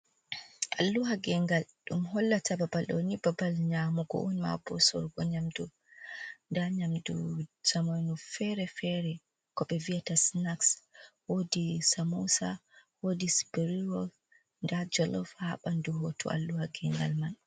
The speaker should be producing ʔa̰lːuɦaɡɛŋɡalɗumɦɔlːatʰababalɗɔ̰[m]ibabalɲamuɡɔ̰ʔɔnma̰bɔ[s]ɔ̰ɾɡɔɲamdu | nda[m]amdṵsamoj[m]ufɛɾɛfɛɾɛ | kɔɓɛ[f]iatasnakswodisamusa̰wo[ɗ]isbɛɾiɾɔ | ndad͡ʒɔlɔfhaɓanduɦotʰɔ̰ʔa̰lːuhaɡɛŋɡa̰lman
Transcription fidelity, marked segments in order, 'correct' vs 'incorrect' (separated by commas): incorrect, correct, incorrect, incorrect, incorrect, incorrect